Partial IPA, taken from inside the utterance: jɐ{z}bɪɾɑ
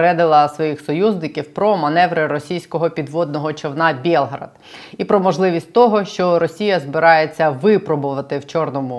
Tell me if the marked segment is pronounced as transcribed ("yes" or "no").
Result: yes